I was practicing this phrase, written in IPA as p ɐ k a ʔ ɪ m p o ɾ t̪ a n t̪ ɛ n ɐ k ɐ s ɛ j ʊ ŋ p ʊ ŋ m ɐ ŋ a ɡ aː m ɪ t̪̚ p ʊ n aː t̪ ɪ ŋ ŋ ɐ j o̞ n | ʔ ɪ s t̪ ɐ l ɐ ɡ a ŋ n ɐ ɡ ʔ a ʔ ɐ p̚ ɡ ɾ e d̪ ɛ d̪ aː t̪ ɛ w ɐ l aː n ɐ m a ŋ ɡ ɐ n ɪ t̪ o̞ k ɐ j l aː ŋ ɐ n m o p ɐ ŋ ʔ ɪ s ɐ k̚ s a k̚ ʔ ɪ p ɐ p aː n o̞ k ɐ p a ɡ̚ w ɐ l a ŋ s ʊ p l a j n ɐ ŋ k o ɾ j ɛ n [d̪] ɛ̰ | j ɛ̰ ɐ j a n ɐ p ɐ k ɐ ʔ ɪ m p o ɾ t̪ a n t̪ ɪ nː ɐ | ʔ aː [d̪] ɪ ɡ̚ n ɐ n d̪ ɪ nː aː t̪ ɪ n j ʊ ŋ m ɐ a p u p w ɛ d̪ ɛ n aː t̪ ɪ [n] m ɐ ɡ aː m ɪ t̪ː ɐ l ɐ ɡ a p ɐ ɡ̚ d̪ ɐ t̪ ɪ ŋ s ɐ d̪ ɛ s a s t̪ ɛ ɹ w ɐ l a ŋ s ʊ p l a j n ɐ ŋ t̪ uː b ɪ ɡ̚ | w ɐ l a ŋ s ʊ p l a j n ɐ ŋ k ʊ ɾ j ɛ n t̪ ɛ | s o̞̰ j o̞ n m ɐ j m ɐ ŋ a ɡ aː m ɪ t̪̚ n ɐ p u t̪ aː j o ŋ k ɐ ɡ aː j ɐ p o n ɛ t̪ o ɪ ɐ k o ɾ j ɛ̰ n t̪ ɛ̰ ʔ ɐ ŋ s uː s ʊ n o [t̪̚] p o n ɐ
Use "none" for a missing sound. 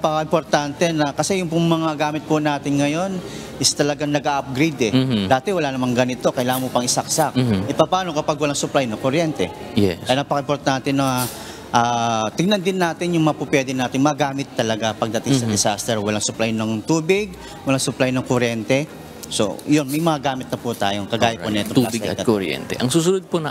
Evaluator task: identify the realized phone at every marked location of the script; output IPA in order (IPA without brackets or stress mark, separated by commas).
t̪, t̪, ŋ, d̪̚